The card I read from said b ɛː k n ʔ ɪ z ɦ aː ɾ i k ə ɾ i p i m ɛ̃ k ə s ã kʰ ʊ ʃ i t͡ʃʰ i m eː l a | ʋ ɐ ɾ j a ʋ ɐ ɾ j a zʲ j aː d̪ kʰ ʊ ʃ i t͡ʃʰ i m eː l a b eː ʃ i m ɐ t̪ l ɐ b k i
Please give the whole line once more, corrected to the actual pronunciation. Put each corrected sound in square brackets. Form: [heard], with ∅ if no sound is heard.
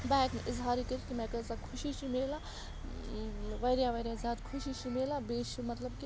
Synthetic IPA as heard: b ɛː k n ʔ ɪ z ɦ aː ɾ i k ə ɾ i [k] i m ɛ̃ k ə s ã kʰ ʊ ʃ i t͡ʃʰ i m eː l a | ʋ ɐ ɾ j a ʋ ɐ ɾ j a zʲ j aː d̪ kʰ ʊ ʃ i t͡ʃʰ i m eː l a b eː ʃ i m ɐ t̪ l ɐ b k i